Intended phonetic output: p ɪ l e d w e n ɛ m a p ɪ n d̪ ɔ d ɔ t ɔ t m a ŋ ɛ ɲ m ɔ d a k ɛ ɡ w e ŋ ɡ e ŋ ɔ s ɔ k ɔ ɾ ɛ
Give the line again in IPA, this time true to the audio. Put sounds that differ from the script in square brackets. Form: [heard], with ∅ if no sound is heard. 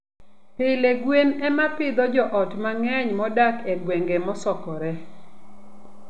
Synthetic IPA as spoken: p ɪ l e [ɡ] w e n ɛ m a p ɪ [∅] d̪ ɔ [d͡ʒ] ɔ [ʔ] ɔ t m a ŋ ɛ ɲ m ɔ d a k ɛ ɡ w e ŋ ɡ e [m] ɔ s ɔ k ɔ ɾ ɛ